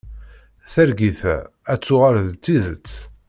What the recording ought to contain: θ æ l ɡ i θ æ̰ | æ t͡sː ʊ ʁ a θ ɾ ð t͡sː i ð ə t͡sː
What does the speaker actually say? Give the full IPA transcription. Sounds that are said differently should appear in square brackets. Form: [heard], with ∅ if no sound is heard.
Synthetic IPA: θ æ [ɾ] ɡ i θ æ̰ | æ t͡sː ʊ ʁ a [∅] ɾ ð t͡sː i ð ə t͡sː